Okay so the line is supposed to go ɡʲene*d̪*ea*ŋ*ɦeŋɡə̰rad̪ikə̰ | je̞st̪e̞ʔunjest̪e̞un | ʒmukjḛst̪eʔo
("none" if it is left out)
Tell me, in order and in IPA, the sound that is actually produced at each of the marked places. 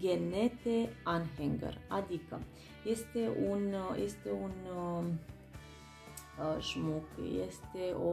t̪, n

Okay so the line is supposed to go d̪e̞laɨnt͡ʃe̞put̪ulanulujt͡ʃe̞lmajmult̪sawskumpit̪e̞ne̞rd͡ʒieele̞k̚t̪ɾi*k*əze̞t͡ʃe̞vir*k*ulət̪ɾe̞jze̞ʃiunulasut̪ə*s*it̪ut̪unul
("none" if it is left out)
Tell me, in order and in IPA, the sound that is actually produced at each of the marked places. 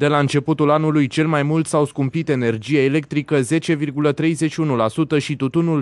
k, ɡ, ʃ

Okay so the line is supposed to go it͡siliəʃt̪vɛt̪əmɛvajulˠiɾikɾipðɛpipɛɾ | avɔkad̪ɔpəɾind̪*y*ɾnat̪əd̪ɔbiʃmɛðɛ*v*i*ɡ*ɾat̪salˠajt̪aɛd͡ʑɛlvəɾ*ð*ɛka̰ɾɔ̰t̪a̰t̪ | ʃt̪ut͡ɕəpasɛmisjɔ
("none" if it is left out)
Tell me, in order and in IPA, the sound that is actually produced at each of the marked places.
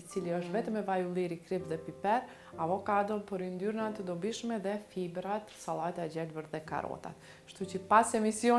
y, f, b, ð

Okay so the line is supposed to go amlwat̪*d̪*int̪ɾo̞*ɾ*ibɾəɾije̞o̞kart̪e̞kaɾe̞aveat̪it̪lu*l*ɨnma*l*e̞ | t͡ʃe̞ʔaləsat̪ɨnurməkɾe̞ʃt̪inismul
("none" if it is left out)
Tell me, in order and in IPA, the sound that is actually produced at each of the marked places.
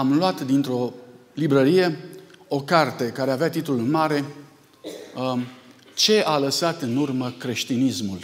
d̪, l, l, ɾ

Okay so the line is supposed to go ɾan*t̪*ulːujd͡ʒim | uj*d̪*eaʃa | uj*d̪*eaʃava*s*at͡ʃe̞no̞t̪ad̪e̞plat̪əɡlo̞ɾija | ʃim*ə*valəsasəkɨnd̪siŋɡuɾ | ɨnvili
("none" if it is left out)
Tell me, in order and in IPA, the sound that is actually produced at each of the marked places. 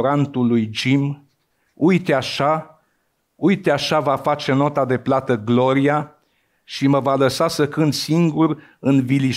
t̪, t̪, t̪, f, ə

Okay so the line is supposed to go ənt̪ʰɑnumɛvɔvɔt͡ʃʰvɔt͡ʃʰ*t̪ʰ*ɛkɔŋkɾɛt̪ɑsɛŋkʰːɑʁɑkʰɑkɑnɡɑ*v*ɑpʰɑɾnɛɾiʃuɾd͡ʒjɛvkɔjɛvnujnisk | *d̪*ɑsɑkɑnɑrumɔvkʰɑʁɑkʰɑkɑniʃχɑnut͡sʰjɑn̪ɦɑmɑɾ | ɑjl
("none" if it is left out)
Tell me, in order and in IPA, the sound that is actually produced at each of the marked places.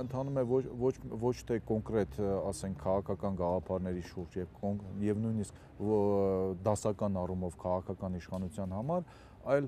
t̪ʰ, ʁ, d̪

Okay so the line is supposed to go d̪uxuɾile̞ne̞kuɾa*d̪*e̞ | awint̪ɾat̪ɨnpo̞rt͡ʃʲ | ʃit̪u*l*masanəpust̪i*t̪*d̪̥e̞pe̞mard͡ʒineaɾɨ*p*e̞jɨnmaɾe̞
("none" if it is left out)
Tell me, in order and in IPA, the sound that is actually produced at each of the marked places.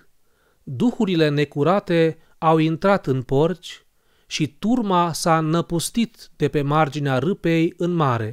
t̪, r, t̪, p

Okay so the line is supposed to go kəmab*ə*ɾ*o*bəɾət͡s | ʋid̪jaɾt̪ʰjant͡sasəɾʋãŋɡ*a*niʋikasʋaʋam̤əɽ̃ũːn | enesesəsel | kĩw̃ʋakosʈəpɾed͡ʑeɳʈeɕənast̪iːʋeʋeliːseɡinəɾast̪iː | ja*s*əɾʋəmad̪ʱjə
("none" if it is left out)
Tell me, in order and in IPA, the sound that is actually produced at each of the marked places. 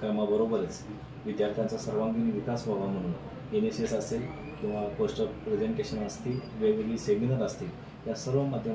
ə, o, i, s

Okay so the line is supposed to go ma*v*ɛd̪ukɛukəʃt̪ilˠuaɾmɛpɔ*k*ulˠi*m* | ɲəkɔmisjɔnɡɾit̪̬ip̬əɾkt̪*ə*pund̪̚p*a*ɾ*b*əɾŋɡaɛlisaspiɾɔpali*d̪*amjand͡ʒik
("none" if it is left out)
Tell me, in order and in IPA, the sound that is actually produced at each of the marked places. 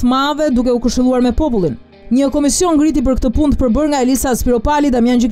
v, p, n, ə, ə, b, d̪

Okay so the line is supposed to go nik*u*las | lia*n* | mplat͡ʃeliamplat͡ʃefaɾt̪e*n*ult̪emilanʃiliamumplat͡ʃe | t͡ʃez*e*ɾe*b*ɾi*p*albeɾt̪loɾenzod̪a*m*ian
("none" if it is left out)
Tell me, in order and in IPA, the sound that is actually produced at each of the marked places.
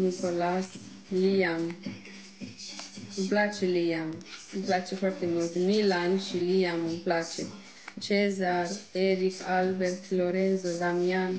o, m, m, a, none, k, m

